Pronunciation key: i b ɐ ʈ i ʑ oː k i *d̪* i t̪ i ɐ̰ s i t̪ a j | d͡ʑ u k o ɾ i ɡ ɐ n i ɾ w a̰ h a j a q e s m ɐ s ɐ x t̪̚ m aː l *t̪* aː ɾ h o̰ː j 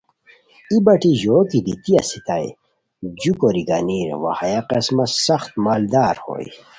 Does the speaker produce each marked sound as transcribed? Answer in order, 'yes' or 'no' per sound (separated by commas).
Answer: yes, no